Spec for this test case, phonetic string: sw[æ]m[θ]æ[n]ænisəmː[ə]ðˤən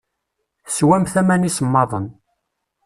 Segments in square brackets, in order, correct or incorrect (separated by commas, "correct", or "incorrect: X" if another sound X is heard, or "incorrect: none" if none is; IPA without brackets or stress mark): correct, correct, incorrect: m, incorrect: ɑ